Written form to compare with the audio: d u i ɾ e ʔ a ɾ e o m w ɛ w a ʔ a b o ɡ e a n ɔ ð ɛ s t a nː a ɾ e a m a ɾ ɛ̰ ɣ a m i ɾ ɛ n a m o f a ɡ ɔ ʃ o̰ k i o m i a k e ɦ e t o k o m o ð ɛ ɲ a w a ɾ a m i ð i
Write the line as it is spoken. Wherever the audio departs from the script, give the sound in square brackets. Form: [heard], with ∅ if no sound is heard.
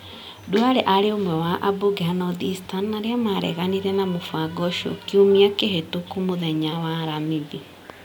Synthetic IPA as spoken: d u [a] ɾ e ʔ a ɾ e o m w ɛ w a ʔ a b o ɡ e a n ɔ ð [i] s t a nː a ɾ e a m a ɾ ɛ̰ ɣ a [n] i ɾ ɛ n a m o f a ɡ ɔ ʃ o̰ k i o m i a k e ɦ e t o k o m o ð ɛ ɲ a w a ɾ a m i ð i